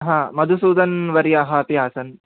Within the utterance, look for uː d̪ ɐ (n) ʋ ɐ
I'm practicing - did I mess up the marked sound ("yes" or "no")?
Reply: no